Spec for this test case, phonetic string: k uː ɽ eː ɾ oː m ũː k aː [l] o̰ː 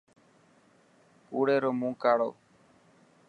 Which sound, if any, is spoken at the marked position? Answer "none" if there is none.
ɽ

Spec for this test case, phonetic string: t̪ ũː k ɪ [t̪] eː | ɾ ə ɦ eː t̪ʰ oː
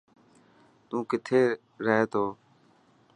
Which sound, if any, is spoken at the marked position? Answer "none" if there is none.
t̪ʰ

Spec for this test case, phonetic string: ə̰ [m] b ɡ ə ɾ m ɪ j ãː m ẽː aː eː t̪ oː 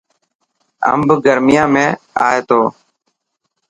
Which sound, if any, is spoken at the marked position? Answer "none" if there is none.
m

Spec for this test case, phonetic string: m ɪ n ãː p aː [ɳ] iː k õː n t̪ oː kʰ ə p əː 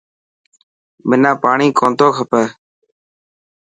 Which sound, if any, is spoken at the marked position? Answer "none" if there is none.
ɳ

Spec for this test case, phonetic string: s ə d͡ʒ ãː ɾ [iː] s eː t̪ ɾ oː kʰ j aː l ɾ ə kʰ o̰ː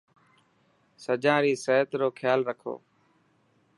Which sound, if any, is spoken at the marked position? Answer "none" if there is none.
iː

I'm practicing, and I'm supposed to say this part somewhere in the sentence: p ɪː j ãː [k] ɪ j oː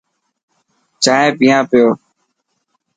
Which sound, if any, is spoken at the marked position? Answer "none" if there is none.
p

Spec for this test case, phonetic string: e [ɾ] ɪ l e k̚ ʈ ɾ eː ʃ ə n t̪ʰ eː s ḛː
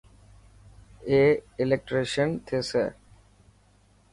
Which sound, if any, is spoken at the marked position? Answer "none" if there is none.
none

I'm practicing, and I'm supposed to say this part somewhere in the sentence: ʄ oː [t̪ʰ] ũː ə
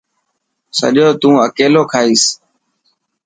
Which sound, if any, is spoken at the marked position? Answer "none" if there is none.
t̪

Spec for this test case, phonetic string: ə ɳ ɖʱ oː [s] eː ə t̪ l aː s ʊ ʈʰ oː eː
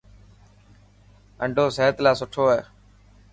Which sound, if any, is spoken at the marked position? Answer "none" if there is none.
s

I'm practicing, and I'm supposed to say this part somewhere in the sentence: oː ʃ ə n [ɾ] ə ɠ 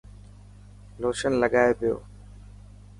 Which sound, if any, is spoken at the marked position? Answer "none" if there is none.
l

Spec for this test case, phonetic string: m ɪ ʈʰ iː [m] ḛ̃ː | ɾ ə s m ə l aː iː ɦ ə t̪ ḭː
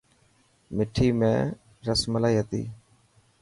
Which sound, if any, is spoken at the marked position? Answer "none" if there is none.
m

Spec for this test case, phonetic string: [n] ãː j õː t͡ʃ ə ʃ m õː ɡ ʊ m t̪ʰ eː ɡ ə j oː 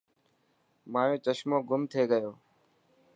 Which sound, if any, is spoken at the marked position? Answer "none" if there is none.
m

